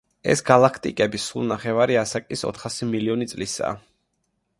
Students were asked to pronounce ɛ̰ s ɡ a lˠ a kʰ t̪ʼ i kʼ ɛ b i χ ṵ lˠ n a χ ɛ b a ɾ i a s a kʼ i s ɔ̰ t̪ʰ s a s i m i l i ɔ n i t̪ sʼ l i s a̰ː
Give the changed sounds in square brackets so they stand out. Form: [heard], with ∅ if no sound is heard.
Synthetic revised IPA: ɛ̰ s ɡ a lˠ a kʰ t̪ʼ i kʼ ɛ b i [s] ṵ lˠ n a χ ɛ [v] a ɾ i a s a kʼ i s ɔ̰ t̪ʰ [χ] a s i m i l i ɔ n i t̪ sʼ l i s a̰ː

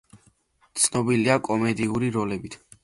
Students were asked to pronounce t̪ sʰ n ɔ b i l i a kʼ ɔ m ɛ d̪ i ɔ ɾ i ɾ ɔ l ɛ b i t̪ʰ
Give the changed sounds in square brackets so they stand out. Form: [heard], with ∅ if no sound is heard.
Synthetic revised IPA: t̪ sʰ n ɔ b i l i a kʼ ɔ m ɛ d̪ i [u] ɾ i ɾ ɔ l ɛ b i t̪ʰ

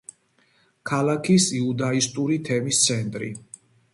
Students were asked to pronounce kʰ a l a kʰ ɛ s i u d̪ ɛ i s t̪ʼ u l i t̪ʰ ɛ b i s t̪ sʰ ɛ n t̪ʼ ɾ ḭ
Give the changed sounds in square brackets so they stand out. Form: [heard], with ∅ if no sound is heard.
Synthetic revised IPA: kʰ a l a kʰ [i] s i u d̪ [a] i s t̪ʼ u [ɾ] i t̪ʰ ɛ [m] i s t̪ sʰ ɛ n t̪ʼ ɾ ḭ

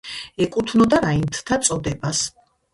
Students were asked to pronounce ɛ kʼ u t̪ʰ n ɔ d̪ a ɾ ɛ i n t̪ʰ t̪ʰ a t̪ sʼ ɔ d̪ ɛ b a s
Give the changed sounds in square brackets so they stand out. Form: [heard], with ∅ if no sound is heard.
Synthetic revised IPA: ɛ kʼ u t̪ʰ n ɔ d̪ a ɾ [a] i n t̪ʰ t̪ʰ a t̪ sʼ ɔ d̪ ɛ b a s

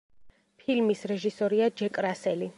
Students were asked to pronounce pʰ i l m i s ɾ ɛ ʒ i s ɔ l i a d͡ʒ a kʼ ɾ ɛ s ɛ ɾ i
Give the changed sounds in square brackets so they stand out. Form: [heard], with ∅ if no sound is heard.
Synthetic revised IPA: pʰ i l m i s ɾ ɛ ʒ i s ɔ [ɾ] i a d͡ʒ [ɛ] kʼ ɾ [a] s ɛ [l] i

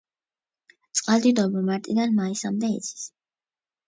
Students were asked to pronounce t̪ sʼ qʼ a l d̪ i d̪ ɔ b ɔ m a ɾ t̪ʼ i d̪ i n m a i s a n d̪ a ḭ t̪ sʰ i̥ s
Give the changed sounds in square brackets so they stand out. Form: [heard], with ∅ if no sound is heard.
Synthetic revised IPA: t̪ sʼ qʼ a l d̪ i d̪ ɔ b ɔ m a ɾ t̪ʼ i d̪ [a] n m a i s a [m] d̪ [ɛ] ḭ t̪ sʰ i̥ s

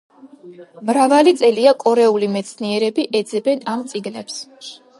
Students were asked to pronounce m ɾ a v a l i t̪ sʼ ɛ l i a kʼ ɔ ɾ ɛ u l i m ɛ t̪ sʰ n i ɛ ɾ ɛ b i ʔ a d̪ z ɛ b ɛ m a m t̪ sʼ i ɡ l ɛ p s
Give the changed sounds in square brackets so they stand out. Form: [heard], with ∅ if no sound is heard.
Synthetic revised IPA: m ɾ a v a l i t̪ sʼ ɛ l i a kʼ ɔ ɾ ɛ u l i m ɛ t̪ sʰ n i ɛ ɾ ɛ b i ʔ [ɛ] d̪ z ɛ b ɛ [n] a m t̪ sʼ i ɡ l ɛ p s

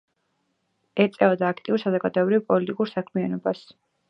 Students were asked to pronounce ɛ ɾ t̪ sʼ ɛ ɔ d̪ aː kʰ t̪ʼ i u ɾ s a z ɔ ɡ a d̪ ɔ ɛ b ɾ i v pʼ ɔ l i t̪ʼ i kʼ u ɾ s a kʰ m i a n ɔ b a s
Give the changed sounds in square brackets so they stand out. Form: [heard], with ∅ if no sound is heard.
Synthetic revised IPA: ɛ ɾ t̪ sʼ ɛ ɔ d̪ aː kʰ t̪ʼ i u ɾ s a z ɔ ɡ a d̪ ɔ ɛ b ɾ i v pʼ ɔ l i t̪ʼ i kʼ u ɾ s a kʰ m i a n ɔ b a s

